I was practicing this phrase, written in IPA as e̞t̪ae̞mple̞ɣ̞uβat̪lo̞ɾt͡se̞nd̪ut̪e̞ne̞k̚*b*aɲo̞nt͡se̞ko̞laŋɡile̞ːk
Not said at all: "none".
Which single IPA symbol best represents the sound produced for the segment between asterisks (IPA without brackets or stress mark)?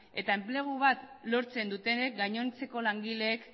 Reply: ɡ